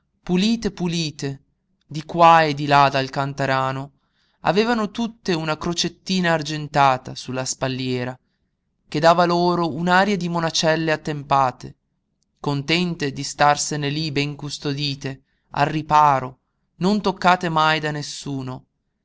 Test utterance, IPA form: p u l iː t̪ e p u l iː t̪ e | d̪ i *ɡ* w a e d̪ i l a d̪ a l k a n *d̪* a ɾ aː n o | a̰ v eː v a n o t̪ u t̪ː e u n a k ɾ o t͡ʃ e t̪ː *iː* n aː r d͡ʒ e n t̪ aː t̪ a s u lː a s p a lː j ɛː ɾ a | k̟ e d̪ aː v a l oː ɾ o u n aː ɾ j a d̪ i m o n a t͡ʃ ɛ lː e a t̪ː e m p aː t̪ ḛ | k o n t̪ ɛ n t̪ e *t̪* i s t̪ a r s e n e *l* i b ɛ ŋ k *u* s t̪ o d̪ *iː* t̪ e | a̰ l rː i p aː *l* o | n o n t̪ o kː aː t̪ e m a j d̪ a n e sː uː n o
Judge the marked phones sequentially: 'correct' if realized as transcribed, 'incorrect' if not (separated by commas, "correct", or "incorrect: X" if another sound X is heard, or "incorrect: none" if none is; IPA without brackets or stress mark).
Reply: incorrect: k, incorrect: t̪, correct, incorrect: d̪, correct, correct, correct, incorrect: ɾ